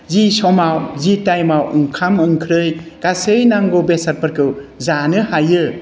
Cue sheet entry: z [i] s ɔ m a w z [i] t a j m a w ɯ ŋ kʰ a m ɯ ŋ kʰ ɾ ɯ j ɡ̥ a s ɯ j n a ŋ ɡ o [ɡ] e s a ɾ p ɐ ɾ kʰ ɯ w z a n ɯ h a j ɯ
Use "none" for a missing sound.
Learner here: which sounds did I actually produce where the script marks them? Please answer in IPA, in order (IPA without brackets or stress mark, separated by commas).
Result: i, i, b